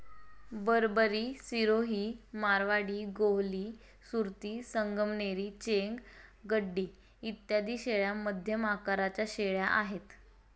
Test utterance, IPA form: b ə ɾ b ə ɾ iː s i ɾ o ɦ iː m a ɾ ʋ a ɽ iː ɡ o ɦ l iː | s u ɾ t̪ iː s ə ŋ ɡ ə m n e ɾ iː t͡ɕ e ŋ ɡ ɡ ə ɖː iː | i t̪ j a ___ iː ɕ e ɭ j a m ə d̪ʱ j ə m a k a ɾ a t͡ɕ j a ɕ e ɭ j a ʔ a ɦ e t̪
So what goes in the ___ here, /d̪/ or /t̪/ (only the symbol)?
d̪